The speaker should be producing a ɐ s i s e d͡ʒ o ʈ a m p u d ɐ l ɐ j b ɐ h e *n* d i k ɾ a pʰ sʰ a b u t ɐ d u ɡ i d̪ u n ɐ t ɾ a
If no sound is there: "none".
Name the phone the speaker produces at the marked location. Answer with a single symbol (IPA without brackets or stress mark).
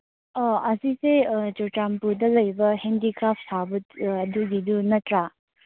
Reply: n